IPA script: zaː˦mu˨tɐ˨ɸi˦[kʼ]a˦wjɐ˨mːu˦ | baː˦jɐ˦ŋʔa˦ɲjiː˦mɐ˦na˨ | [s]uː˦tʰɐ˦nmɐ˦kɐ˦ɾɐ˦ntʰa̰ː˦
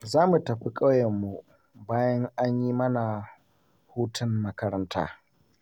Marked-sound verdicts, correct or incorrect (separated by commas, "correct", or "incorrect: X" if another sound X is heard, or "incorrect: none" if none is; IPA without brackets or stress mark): correct, incorrect: h